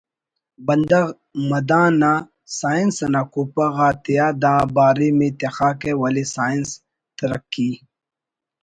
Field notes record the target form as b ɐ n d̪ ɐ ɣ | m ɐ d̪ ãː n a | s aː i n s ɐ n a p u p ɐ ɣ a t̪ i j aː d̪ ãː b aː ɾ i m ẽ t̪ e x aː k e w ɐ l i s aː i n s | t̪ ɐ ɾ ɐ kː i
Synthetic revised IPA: b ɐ n d̪ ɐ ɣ | m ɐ d̪ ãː n a | s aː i n s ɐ n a k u p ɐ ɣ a t̪ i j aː d̪ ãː b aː ɾ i m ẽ t̪ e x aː k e w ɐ l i s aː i n s | t̪ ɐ ɾ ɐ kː i

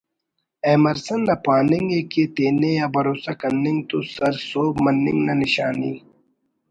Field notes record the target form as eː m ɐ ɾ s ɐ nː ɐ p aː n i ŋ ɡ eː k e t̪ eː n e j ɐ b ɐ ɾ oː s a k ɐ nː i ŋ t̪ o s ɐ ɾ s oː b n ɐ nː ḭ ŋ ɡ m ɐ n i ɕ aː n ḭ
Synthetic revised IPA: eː m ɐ ɾ s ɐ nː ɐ p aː n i ŋ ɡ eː k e t̪ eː n e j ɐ b ɐ ɾ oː s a k ɐ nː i ŋ t̪ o s ɐ ɾ s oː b m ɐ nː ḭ ŋ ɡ n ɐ n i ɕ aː n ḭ

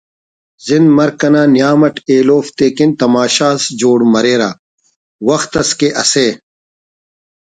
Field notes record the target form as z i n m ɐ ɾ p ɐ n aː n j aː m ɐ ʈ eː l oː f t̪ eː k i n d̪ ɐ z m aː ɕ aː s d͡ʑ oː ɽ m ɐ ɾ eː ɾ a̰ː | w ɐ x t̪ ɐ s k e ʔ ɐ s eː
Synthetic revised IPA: z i n m ɐ ɾ k ɐ n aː n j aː m ɐ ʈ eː l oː f t̪ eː k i n t̪ ɐ m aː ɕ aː s d͡ʑ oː ɽ m ɐ ɾ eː ɾ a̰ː | w ɐ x t̪ ɐ s k e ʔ ɐ s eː

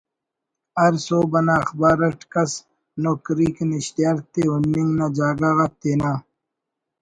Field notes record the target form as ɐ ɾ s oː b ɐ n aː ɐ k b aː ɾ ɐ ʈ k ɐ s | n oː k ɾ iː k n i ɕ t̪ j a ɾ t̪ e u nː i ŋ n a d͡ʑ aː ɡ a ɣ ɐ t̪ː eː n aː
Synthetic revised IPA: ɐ ɾ s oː b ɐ n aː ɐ x b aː ɾ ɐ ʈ k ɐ s | n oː k ɾ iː k n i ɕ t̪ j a ɾ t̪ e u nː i ŋ n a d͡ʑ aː ɡ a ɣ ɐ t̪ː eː n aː

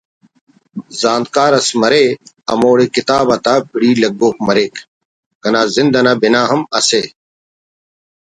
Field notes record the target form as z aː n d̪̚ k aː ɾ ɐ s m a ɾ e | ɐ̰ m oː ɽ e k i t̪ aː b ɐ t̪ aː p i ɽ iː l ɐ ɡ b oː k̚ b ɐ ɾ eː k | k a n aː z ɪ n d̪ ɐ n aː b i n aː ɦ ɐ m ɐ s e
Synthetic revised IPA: z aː n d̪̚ k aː ɾ ɐ s m ɐ ɾ e | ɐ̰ m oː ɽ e k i t̪ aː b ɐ t̪ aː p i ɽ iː l ɐ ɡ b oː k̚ m ɐ ɾ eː k | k ɐ n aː z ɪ n d̪ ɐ n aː b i n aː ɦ ɐ m ɐ s e

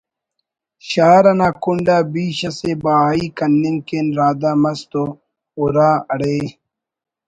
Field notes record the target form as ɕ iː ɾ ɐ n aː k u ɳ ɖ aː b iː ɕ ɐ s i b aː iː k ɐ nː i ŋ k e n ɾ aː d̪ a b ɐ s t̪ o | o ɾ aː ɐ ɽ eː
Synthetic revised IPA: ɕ aː ɾ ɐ n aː k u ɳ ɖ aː b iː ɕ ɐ s e b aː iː k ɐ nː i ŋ k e n ɾ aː d̪ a m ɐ s t̪ o | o ɾ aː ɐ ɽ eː

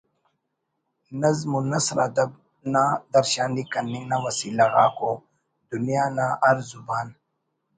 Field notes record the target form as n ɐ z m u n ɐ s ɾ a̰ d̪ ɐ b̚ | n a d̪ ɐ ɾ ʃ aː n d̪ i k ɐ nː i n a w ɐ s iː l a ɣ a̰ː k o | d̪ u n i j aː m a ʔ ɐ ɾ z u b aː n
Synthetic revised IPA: n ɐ z m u n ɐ s ɾ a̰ d̪ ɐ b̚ | n a d̪ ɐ ɾ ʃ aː n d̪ i k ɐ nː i n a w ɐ s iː l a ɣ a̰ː k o | d̪ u n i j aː n a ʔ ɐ ɾ z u b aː n

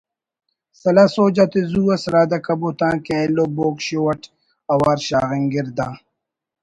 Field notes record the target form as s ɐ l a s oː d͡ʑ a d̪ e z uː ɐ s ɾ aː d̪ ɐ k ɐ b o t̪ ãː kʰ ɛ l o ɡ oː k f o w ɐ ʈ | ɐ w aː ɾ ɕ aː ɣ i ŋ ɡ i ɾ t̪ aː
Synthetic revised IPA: s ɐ l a s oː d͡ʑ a t̪ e z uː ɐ s ɾ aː d̪ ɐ k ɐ b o t̪ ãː k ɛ l o b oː k ɕ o w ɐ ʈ | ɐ w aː ɾ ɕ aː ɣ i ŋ ɡ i ɾ d̪ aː

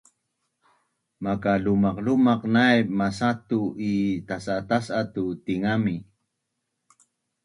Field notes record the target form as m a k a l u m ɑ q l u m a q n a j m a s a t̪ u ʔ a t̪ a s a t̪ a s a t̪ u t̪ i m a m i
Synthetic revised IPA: m a k a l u m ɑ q l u m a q n a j m a s a t̪ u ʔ i t̪ a s a t̪ a s a t̪ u t̪ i ŋ a m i

